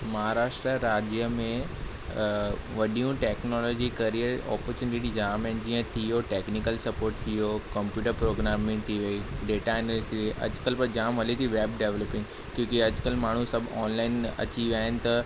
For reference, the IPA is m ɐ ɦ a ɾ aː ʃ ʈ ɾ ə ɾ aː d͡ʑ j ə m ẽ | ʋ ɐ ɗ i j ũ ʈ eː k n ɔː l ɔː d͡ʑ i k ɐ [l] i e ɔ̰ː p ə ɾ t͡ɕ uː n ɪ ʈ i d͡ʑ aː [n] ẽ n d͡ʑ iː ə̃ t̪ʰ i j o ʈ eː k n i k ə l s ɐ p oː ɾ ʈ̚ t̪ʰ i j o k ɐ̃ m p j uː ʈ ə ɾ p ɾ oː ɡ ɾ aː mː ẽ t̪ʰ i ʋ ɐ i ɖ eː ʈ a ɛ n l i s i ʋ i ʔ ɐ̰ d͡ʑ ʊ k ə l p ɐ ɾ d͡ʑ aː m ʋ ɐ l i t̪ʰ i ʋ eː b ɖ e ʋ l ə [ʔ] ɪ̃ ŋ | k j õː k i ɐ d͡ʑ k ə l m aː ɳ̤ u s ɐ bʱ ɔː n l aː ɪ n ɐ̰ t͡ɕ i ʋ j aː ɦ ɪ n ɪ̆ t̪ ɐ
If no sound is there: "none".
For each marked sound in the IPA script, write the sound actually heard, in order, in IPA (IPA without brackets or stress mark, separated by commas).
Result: ɾ, m, p